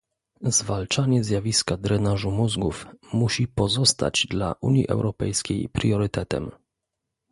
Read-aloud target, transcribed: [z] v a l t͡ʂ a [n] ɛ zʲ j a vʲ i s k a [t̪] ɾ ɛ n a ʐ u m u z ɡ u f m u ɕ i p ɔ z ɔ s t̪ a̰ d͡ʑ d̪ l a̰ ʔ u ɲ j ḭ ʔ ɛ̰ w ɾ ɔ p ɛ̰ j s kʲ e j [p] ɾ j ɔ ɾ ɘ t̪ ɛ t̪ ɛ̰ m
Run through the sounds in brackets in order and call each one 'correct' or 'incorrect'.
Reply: correct, incorrect, incorrect, correct

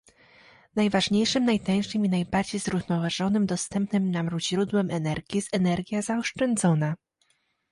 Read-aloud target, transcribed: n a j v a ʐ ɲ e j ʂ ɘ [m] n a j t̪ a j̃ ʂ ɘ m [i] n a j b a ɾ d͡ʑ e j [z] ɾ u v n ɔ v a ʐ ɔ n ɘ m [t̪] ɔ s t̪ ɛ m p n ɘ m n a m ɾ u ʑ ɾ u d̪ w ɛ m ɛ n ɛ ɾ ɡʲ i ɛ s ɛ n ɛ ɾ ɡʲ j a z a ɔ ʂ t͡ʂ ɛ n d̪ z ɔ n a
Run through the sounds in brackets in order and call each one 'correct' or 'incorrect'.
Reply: correct, correct, correct, incorrect

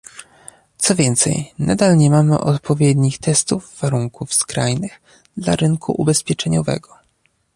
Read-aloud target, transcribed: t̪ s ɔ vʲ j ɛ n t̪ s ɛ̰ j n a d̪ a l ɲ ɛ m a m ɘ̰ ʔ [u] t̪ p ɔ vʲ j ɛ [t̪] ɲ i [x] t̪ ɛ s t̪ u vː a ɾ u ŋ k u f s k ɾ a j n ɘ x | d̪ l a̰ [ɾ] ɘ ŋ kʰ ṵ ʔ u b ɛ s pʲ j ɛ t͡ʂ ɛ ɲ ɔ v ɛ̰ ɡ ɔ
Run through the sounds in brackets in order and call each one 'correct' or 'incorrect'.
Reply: incorrect, incorrect, correct, correct

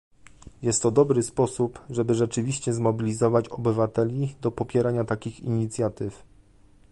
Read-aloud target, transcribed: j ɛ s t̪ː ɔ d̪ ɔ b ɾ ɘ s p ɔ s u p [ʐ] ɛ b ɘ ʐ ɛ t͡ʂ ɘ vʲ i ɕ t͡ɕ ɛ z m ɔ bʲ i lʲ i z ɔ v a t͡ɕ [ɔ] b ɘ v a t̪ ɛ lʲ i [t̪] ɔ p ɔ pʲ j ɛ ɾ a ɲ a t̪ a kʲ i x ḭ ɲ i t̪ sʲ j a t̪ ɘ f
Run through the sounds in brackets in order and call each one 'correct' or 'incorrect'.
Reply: correct, correct, incorrect

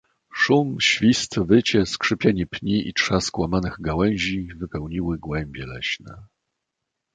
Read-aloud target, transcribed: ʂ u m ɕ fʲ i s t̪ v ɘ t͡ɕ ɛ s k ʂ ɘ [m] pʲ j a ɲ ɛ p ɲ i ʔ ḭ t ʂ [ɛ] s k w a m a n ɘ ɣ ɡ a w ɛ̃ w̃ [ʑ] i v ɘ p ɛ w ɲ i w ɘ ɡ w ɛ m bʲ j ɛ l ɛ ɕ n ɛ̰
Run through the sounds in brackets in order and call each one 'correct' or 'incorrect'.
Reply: incorrect, incorrect, correct

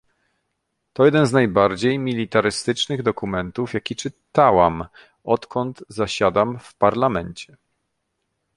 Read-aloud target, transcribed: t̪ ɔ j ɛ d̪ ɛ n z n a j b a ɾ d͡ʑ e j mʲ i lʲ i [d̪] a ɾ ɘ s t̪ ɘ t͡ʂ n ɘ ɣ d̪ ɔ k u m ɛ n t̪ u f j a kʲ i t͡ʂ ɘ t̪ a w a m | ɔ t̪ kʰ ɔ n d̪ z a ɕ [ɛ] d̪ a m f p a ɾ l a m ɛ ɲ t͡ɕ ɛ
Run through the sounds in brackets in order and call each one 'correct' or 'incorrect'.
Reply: incorrect, incorrect

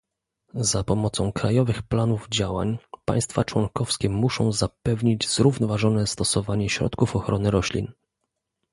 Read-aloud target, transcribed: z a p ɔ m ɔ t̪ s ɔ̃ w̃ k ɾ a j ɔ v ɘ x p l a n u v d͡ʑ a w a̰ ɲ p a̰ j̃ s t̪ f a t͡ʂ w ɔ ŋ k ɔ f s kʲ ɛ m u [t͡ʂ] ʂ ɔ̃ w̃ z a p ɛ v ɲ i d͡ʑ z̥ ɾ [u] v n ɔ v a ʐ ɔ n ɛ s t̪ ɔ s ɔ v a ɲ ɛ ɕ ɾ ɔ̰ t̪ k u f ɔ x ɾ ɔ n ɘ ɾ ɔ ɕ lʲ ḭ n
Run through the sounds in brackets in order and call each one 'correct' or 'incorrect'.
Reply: incorrect, correct

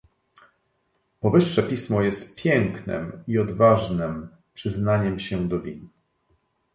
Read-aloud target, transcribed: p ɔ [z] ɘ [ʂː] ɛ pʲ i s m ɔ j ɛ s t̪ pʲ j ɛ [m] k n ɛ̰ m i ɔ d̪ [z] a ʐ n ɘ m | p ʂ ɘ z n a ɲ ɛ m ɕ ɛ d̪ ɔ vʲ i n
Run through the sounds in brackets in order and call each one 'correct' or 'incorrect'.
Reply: incorrect, correct, incorrect, incorrect

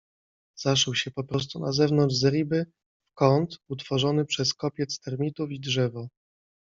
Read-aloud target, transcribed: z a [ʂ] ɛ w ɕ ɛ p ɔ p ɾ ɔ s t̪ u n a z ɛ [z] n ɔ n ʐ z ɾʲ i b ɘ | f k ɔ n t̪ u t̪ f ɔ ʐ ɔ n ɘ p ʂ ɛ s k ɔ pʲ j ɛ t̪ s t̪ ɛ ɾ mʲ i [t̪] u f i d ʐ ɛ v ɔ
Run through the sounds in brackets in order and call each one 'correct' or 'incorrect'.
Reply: correct, incorrect, correct

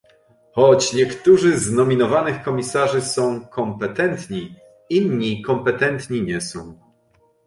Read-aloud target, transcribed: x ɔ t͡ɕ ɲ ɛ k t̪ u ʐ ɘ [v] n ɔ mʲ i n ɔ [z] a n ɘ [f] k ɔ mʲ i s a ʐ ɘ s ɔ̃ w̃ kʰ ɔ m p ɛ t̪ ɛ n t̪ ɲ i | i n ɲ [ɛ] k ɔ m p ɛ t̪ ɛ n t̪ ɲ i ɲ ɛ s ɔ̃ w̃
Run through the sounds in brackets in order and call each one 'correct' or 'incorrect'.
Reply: incorrect, incorrect, incorrect, incorrect

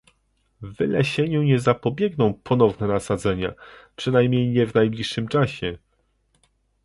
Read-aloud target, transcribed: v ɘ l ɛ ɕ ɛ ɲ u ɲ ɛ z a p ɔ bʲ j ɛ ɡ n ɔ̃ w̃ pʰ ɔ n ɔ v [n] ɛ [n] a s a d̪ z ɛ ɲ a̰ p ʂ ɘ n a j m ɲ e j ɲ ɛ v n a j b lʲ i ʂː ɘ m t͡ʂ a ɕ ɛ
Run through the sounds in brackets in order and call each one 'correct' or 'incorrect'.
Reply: correct, correct

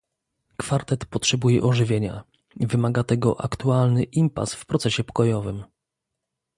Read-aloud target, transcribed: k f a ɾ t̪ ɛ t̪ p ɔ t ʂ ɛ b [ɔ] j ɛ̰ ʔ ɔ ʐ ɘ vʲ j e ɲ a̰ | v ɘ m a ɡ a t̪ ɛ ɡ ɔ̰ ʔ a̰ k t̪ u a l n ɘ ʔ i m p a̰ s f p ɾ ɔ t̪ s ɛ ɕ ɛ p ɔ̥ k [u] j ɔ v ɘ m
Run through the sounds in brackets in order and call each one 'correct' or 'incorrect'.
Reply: incorrect, incorrect

